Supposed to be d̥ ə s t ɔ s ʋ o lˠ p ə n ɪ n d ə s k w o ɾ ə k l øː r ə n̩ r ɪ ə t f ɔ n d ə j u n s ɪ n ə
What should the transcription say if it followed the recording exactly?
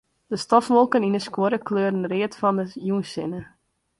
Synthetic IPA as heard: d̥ ə s t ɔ f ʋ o lˠ k ə n i n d ə s k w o ɾ ə k l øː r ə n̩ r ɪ ə t f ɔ n d ə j u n s ɪ n ə